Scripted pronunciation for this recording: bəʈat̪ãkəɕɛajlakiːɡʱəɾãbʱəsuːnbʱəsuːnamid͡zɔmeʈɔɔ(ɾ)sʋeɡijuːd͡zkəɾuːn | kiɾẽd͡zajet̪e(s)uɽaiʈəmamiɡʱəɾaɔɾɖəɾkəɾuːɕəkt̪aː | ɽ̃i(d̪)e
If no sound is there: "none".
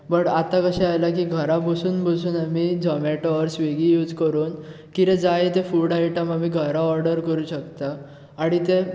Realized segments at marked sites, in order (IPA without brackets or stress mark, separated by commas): ɾ, f, t̪